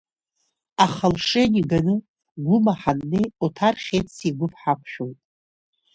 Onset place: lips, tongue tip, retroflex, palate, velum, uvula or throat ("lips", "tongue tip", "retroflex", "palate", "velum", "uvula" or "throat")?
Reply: uvula